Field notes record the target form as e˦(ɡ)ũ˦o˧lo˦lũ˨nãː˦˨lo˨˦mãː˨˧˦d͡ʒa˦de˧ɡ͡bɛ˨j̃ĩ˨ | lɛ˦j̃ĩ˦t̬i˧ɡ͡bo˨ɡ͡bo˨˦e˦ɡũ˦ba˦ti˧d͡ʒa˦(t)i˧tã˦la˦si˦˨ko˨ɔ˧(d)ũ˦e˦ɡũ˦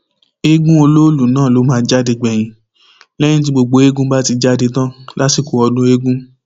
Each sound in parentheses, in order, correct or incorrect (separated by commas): correct, incorrect, correct